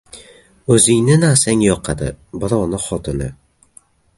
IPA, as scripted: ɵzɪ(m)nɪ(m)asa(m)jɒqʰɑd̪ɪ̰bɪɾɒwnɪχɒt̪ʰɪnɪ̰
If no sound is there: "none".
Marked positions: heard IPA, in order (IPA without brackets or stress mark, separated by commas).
ŋ, n, ŋ